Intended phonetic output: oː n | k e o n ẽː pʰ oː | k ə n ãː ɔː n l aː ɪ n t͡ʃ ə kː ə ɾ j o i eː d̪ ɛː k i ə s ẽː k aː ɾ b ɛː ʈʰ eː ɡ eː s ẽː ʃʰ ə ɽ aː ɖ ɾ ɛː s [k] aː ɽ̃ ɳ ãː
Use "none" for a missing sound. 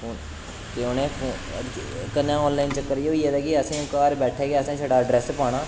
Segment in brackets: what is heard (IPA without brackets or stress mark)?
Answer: p